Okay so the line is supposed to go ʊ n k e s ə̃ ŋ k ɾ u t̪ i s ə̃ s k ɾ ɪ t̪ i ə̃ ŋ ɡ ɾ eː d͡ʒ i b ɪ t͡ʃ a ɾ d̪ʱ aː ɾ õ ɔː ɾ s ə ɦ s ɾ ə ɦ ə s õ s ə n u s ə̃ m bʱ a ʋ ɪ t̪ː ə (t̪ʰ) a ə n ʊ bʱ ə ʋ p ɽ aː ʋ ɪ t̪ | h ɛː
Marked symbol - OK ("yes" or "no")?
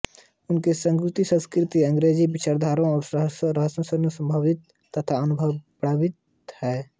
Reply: yes